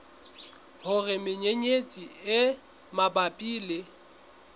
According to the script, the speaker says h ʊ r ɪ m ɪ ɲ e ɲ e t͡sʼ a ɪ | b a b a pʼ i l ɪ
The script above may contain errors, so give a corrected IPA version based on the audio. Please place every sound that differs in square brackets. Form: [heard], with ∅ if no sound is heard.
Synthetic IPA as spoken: h ʊ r ɪ m ɪ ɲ e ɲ e t͡sʼ [i] ɪ | [m] a b a pʼ [iː] l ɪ